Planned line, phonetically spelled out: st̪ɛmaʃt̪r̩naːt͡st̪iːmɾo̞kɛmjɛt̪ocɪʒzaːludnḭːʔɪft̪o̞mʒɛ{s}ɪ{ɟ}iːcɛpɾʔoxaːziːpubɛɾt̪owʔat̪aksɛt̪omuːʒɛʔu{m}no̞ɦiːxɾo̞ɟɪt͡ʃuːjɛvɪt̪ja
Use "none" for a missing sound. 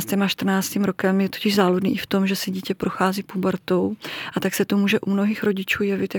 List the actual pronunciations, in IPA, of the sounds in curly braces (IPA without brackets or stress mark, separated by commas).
s, ɟ, m